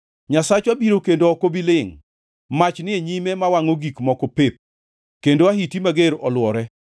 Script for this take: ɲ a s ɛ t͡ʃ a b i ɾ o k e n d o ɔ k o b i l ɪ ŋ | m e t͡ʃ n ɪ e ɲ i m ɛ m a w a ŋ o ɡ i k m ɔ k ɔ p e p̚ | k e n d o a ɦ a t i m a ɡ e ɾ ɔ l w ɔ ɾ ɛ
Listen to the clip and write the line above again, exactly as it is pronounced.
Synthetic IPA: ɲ a s a t͡ʃ a b i ɾ o k e n d o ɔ k o b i l ɪ ŋ | m a t͡ʃ n ɪ e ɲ i m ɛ m a w a ŋ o ɡ i k m ɔ k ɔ p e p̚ | k e n d o a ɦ i t i m a ɡ e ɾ ɔ l w ɔ ɾ ɛ